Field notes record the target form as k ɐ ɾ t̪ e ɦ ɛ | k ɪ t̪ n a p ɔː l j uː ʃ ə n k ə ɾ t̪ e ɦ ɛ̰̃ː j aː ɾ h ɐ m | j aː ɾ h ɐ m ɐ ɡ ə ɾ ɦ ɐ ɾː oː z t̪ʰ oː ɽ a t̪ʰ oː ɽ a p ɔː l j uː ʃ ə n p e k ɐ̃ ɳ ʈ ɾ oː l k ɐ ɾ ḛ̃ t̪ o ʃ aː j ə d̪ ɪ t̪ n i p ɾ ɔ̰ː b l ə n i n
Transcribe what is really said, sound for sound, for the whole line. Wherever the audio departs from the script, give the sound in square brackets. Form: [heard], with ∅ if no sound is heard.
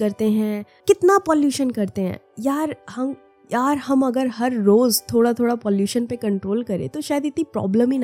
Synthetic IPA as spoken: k ɐ ɾ t̪ e ɦ [ɛ̃] | k ɪ t̪ n a p ɔː l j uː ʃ ə n k [ɐ] ɾ t̪ e ɦ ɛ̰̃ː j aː ɾ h ɐ m | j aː ɾ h ɐ m ɐ ɡ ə ɾ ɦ ɐ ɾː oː z t̪ʰ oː ɽ a t̪ʰ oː ɽ a p ɔː l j uː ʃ ə n p e k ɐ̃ ɳ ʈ ɾ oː l k ɐ ɾ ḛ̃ t̪ o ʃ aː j ə d̪ ɪ t̪ n i p ɾ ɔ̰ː b l ə [m] i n